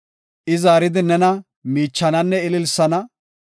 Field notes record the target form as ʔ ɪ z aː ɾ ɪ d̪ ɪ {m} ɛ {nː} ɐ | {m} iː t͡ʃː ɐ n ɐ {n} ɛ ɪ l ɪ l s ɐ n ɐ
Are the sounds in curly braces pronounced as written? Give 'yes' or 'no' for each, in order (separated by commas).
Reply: no, no, yes, no